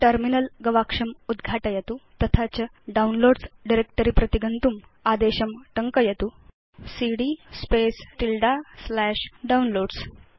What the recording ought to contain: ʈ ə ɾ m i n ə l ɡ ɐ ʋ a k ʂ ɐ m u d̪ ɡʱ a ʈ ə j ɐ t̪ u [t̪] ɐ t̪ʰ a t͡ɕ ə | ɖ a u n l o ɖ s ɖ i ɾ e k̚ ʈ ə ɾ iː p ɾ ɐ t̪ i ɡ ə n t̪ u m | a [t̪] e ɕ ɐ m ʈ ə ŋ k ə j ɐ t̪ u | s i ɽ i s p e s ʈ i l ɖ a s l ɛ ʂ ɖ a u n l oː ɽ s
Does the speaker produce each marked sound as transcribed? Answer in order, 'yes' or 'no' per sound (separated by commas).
yes, no